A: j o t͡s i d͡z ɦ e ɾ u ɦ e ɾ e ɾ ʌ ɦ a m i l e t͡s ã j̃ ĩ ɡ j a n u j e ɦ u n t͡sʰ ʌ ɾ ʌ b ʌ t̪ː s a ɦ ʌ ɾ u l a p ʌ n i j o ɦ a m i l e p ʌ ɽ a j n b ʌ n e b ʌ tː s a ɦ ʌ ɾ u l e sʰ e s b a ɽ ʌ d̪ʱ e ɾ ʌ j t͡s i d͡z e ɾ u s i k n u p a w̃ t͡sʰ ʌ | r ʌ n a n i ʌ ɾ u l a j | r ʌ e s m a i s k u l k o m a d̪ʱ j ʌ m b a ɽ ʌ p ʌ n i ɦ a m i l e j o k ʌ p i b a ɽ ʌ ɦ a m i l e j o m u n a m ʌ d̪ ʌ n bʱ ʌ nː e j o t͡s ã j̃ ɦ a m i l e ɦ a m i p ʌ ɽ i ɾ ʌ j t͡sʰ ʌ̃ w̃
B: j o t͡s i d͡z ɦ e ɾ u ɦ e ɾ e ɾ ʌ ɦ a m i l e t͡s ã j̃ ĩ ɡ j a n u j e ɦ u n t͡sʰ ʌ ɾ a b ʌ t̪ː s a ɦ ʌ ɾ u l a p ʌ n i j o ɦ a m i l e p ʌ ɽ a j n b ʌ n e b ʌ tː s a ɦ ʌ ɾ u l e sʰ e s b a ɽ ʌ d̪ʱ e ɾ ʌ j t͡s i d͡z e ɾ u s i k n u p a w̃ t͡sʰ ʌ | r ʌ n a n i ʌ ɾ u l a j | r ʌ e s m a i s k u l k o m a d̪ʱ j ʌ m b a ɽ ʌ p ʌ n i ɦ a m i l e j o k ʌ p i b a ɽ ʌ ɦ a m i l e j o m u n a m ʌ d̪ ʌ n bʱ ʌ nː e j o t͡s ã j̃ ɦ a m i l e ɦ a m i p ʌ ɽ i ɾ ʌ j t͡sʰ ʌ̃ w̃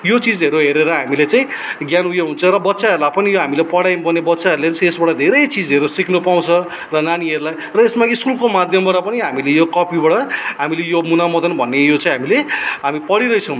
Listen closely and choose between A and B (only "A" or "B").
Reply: A